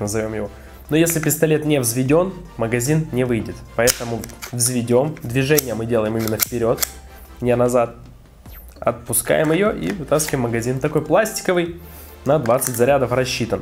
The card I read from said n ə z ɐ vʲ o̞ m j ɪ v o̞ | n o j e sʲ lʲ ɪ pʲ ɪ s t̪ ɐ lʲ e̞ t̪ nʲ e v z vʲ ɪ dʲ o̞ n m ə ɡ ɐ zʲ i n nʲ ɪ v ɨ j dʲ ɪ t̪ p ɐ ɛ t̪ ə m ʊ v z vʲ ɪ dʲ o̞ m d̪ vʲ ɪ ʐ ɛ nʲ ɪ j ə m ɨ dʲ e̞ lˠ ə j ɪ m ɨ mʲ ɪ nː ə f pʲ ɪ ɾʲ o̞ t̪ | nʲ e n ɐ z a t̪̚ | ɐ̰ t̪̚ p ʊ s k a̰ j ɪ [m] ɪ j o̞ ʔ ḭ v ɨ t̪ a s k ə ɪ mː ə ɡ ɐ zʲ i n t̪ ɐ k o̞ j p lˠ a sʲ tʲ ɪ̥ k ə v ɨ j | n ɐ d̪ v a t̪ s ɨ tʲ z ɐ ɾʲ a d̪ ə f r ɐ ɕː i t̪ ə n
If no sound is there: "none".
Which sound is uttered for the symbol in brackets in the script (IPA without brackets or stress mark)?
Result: m